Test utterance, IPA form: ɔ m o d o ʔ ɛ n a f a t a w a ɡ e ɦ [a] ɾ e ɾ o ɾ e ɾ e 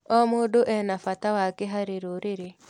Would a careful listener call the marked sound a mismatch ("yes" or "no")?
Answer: no